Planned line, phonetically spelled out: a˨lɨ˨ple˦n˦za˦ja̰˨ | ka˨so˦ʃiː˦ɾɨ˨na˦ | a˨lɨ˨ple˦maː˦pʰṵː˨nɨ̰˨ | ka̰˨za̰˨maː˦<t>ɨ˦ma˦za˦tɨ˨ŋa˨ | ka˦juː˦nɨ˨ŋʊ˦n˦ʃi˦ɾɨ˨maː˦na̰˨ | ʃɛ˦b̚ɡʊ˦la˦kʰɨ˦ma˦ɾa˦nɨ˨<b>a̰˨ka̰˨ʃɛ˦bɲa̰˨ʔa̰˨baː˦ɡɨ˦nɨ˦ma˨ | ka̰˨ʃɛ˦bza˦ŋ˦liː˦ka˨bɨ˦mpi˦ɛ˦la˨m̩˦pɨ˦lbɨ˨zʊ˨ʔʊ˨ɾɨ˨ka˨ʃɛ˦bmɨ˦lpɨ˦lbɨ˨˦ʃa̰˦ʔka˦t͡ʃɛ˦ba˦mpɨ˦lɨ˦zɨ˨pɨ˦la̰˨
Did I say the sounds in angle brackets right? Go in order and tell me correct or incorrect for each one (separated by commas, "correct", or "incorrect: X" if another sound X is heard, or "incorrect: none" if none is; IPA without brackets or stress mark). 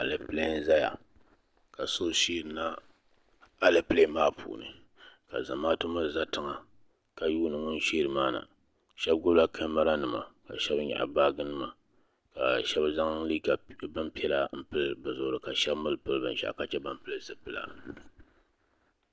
correct, incorrect: m